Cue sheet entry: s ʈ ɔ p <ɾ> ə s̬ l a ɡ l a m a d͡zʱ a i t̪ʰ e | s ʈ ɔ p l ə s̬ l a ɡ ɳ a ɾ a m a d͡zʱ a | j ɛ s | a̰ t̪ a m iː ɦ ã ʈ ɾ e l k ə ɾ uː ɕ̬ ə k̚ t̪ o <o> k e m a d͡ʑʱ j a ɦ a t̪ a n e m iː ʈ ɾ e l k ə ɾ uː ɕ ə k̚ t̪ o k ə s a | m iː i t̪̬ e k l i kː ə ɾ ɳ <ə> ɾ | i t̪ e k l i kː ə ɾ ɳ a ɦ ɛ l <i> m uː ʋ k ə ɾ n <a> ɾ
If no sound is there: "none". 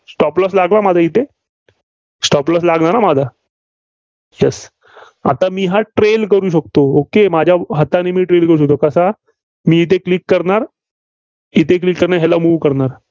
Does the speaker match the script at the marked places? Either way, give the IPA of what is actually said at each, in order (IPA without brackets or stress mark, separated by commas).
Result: l, o, a, a, a